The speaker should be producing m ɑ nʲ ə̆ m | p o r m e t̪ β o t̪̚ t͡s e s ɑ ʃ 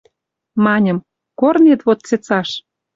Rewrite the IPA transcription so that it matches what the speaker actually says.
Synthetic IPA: m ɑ nʲ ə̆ m | k o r n e t̪ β o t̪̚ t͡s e t͡s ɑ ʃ